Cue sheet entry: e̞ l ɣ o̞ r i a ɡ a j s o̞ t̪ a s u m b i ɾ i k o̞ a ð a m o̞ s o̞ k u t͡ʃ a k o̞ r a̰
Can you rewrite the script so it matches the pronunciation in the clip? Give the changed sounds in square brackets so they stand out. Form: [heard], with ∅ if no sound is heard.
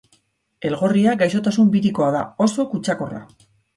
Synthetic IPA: e̞ l ɣ o̞ r i a ɡ a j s o̞ t̪ a s u m b i ɾ i k o̞ a ð a [∅] o̞ s o̞ k u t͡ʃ a k o̞ r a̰